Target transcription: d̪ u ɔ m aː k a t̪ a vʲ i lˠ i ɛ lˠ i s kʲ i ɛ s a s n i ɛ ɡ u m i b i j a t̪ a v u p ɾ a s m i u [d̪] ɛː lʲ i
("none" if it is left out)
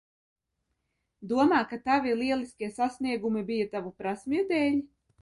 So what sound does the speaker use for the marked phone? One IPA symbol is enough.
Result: d̪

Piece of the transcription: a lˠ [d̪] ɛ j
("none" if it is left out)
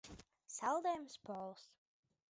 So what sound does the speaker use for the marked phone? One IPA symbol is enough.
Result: d̪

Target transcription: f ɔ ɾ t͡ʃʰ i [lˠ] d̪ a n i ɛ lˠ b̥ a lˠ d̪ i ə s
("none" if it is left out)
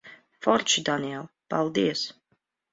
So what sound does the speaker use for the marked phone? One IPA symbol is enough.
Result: none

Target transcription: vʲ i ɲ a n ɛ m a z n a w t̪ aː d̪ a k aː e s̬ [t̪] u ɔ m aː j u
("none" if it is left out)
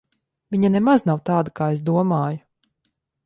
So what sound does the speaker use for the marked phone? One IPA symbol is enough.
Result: d̪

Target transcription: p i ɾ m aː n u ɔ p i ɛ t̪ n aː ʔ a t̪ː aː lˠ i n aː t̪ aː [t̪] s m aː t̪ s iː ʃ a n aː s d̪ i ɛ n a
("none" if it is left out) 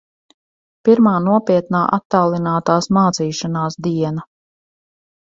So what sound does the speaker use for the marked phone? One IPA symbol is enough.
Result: none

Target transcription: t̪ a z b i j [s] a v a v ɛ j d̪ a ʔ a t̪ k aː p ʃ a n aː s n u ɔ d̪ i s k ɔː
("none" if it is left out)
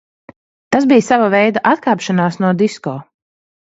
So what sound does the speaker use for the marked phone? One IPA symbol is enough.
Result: s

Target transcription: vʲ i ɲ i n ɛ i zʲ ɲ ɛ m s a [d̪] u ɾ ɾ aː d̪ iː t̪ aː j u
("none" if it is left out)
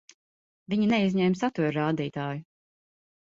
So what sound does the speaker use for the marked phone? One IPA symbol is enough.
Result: t̪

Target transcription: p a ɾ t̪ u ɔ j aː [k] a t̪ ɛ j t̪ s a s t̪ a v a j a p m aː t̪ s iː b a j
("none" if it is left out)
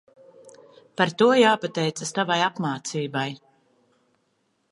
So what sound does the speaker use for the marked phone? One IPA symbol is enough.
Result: p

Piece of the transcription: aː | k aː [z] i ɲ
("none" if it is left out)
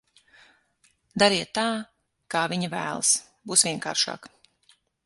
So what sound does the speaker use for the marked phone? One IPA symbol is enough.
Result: v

